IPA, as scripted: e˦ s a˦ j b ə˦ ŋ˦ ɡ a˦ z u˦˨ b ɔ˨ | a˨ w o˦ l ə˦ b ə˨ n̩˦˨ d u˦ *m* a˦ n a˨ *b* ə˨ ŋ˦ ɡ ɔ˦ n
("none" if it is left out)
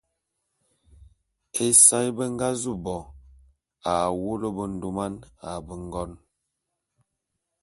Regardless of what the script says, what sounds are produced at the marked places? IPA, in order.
m, b

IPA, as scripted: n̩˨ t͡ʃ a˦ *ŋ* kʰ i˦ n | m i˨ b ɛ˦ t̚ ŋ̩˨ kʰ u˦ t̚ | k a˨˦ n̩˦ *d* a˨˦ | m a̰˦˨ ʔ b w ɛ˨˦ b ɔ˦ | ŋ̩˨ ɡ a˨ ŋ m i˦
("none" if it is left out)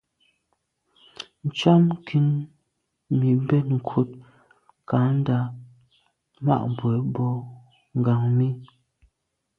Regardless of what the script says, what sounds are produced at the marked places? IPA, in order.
m, d

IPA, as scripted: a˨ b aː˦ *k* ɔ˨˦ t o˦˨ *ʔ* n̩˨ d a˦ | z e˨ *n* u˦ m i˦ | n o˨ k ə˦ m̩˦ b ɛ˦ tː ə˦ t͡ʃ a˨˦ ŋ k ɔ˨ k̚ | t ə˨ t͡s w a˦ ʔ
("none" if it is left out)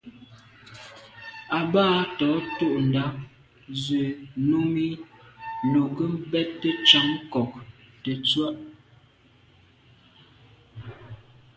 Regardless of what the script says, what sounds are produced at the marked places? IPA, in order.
t, ʔ, n

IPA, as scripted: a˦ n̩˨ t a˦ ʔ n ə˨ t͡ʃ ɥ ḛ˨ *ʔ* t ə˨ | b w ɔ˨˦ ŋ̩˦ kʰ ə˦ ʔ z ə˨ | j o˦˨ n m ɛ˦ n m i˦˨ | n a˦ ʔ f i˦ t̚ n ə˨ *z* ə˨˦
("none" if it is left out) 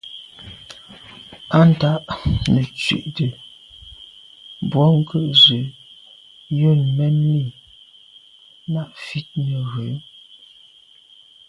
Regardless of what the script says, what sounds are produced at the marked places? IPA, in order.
ʔ, ɣ

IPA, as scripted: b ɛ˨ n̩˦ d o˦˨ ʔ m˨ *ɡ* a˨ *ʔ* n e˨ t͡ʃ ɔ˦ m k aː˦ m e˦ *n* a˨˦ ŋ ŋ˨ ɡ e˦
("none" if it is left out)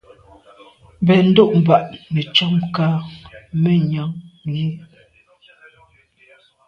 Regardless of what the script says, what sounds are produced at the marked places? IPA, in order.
b, ʔ, ɲ

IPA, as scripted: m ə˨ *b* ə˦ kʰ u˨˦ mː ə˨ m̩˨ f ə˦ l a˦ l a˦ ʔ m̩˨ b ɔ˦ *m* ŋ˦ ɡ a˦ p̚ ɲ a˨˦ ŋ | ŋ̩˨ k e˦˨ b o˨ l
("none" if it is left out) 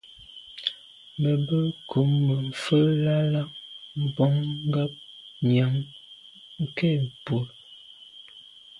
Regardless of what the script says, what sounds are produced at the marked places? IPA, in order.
b, ŋ

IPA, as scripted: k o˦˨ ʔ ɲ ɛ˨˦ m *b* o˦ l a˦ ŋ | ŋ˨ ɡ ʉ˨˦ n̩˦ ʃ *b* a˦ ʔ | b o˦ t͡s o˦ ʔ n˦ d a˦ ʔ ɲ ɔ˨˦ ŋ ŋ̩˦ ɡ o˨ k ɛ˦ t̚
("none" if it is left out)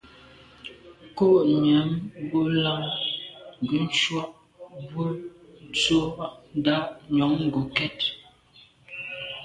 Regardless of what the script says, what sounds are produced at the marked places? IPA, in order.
b, w

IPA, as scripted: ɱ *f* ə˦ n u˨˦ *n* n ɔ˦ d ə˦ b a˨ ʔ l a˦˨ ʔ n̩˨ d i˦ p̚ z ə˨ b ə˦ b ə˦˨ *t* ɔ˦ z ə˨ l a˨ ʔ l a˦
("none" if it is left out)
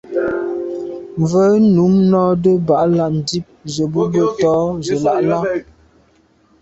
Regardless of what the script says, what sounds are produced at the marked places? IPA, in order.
v, m, t

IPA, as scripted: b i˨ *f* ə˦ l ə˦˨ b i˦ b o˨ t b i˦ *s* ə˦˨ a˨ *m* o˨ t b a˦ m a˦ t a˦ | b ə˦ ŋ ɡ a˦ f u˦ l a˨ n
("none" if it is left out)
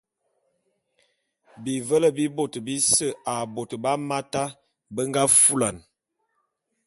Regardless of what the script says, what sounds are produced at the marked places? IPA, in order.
v, s, b

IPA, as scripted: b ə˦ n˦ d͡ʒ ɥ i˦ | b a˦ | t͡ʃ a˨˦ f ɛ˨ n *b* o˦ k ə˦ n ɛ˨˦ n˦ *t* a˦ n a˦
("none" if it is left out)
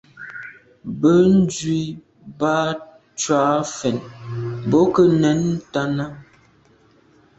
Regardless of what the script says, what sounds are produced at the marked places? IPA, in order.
b, t

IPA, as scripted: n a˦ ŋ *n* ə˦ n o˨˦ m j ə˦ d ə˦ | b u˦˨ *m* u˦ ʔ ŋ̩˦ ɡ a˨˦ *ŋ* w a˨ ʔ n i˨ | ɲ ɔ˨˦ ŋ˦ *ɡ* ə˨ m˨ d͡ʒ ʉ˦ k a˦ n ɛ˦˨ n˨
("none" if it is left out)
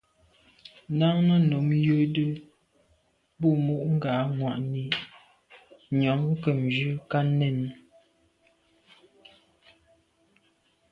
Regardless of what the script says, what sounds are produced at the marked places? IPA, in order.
n, m, ŋ, k

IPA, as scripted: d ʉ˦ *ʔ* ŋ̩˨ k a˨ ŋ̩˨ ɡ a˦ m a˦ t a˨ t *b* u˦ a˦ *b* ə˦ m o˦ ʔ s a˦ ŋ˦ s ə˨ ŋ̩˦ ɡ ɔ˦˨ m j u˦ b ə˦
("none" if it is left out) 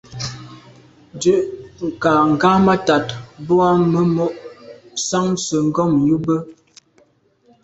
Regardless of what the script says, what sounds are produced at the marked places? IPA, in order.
ʔ, b, m

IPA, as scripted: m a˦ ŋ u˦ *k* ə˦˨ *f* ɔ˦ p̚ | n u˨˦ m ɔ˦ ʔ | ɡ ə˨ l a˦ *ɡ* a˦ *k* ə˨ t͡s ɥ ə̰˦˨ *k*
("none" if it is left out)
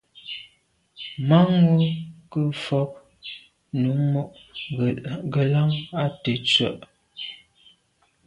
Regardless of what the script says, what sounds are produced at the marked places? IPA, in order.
k, f, ŋ, t, ʔ

